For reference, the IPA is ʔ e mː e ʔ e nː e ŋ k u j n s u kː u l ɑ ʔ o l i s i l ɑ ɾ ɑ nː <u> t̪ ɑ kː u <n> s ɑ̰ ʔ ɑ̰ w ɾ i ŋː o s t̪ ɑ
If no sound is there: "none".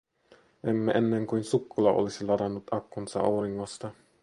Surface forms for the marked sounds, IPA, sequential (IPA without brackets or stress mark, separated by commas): u, n